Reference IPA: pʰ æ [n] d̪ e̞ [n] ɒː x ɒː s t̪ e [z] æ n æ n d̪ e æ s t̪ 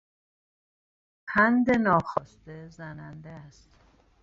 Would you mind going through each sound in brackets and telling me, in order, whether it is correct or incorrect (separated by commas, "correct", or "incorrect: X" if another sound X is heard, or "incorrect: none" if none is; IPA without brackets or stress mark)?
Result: correct, correct, correct